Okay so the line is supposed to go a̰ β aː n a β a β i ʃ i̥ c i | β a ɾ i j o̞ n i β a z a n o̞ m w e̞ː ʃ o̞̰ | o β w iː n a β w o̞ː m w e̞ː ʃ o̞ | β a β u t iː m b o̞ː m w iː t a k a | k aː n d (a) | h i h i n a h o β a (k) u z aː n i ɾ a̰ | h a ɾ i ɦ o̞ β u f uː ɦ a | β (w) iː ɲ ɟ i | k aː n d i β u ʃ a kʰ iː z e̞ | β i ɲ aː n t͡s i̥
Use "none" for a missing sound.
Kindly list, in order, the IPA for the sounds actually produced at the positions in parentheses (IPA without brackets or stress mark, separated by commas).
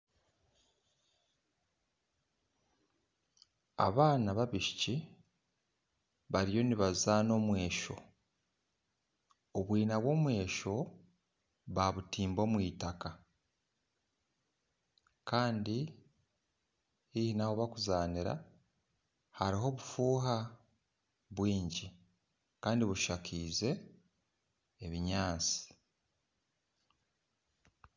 i, k, w